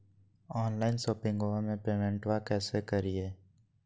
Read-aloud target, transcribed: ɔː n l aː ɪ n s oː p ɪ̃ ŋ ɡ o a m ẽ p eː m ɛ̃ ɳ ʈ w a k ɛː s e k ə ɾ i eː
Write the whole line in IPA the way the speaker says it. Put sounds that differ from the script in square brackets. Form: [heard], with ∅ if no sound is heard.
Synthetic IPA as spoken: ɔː n l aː ɪ n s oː p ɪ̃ ŋ ɡ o a m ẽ p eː m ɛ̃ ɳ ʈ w a k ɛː s e k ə ɾ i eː